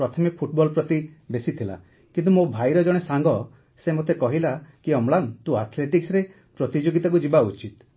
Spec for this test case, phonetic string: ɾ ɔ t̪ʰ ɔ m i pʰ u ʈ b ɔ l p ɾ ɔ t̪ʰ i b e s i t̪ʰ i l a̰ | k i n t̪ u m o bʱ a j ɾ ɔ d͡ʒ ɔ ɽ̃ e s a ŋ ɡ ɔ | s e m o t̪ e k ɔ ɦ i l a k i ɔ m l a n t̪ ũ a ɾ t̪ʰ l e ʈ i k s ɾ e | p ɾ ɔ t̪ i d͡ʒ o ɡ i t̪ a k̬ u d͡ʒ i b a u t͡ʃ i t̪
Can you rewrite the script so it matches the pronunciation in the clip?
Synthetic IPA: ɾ ɔ t̪ʰ ɔ m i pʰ u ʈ b ɔ l p ɾ ɔ t̪ i b e s i t̪ʰ i l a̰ | k i n t̪ u m o bʱ a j ɾ ɔ d͡ʒ ɔ ɽ̃ e s a ŋ ɡ ɔ | s e m o t̪ e k ɔ ɦ i l a k i ɔ m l a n t̪ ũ a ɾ t̪ʰ l e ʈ i k s ɾ e | p ɾ ɔ t̪ i d͡ʒ o ɡ i t̪ a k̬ u d͡ʒ i b a u t͡ʃ i t̪

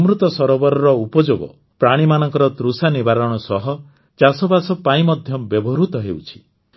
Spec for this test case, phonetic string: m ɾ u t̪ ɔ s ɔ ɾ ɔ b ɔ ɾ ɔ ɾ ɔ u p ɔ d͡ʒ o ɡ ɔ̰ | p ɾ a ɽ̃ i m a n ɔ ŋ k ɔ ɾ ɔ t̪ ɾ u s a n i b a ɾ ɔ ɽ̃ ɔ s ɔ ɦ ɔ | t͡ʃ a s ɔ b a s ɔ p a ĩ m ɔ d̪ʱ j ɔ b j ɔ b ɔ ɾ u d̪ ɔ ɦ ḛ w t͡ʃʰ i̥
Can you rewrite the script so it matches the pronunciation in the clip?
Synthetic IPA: m ɾ u t̪ ɔ s ɔ ɾ ɔ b ɔ ɾ ɔ ɾ ɔ u p ɔ d͡ʒ o ɡ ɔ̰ | p ɾ a ɽ̃ i m a n ɔ ŋ k ɔ ɾ ɔ t̪ ɾ u s a n i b a ɾ ɔ ɽ̃ ɔ s ɔ ɦ ɔ | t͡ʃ a s ɔ b a s ɔ p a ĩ m ɔ d̪ʱ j ɔ b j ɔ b ɔ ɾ u t̪ ɔ ɦ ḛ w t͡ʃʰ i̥

